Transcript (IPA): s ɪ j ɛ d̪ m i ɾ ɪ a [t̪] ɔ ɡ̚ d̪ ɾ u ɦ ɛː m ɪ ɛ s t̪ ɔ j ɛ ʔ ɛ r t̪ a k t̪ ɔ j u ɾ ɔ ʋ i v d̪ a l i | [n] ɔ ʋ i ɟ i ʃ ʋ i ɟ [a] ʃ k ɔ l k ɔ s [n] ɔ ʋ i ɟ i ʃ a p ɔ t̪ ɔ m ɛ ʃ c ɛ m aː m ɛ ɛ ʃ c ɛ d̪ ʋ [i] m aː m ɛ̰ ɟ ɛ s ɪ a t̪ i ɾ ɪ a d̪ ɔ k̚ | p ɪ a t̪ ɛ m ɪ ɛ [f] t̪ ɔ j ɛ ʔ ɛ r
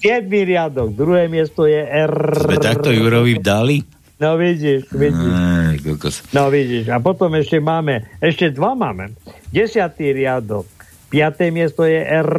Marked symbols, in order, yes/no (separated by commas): no, yes, no, yes, no, no